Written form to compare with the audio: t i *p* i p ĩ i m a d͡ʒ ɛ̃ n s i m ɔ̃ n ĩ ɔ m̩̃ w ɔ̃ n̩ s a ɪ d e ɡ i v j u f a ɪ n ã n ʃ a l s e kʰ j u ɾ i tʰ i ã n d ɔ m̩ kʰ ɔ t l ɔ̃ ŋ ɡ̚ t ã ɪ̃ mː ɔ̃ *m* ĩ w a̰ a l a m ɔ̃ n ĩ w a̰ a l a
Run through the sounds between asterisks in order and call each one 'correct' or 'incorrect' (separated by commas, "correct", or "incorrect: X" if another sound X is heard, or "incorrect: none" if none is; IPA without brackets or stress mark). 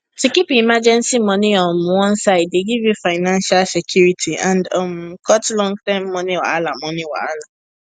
incorrect: k, incorrect: n